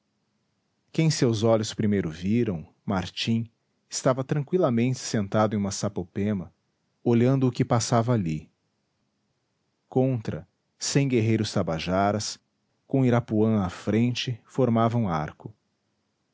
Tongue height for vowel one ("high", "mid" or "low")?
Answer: mid